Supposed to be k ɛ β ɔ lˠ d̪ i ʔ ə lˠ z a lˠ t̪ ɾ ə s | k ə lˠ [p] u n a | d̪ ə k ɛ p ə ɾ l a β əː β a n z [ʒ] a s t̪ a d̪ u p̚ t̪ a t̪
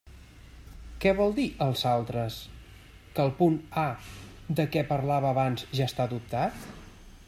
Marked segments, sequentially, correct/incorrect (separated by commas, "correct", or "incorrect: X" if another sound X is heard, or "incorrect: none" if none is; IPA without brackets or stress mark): correct, correct